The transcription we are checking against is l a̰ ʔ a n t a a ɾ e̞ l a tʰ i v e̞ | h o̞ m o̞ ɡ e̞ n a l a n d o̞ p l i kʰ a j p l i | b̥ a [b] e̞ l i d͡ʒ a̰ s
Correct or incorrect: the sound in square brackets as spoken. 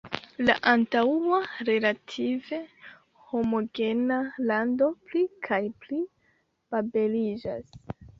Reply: correct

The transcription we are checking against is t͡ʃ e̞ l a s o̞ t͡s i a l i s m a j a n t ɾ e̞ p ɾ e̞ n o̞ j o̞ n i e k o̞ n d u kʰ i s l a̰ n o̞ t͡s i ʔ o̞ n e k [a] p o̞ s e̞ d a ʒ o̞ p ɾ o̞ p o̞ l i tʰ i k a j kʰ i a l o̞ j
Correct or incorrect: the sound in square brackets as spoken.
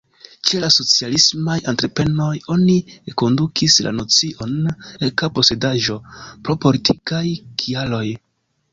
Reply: correct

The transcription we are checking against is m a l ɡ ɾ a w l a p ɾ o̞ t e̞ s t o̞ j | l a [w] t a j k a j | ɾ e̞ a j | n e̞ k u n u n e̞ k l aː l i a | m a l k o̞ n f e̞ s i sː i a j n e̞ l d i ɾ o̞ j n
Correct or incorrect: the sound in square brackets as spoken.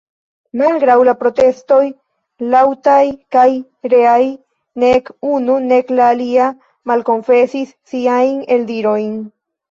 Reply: correct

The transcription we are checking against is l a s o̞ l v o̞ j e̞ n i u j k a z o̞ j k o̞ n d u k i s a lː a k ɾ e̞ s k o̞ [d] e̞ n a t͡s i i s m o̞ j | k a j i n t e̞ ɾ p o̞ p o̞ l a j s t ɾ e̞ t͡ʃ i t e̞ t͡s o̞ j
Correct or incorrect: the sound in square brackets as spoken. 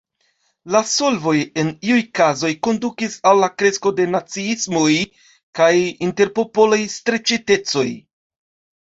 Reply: correct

